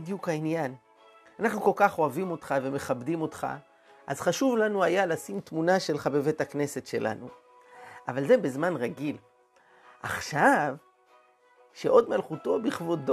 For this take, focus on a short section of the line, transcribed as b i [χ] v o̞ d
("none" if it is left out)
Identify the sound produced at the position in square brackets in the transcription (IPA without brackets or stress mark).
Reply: χ